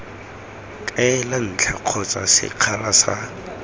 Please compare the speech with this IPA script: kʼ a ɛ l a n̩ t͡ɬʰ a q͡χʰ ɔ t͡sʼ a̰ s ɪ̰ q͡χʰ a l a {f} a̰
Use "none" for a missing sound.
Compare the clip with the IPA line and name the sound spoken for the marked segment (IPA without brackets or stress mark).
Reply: s